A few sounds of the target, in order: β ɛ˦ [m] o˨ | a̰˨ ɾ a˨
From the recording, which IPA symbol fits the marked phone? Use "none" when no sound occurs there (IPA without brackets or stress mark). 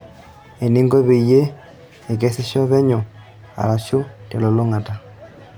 ɲ